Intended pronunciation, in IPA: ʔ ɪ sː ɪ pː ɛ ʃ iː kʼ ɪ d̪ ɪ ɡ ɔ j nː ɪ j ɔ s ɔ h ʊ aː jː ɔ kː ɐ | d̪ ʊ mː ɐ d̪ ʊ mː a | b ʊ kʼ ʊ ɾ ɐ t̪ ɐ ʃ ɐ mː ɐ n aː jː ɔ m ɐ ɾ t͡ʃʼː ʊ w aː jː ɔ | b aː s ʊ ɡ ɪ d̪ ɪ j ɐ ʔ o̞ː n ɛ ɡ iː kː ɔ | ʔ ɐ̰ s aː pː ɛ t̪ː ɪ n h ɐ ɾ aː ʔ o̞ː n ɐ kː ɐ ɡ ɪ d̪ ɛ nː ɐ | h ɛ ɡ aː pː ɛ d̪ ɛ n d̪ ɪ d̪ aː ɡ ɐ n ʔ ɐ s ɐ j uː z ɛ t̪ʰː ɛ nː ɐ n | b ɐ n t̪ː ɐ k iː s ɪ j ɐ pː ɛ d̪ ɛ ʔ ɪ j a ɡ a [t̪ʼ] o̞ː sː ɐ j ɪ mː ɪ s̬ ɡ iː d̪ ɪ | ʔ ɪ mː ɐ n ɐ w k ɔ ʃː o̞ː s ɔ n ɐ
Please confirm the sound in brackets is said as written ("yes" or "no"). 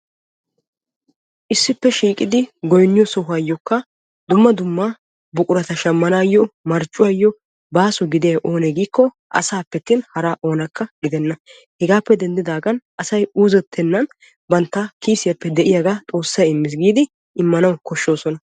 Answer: yes